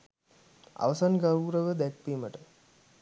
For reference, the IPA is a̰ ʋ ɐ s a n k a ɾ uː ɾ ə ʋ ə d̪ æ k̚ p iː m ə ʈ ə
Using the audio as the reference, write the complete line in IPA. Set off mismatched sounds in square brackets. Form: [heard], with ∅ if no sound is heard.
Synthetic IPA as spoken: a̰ ʋ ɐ s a n [ɡ] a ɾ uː ɾ ə ʋ ə d̪ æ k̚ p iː m ə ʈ ə